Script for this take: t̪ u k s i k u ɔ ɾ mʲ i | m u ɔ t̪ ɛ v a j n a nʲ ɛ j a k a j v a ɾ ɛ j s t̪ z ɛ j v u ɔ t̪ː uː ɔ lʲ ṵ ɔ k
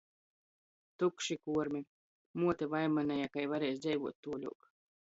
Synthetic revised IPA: t̪ u k ʃ i k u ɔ ɾ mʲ i | m u ɔ t̪ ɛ v a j m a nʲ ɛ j a k a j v a ɾ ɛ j s d̪ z ɛ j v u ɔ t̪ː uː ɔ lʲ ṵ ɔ k